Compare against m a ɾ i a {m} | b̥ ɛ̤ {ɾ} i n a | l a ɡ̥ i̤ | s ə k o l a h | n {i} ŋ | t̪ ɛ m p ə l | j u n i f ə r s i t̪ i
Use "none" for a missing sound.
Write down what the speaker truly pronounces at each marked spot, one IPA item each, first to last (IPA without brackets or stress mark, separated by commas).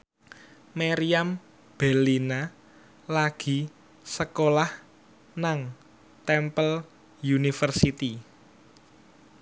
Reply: m, l, a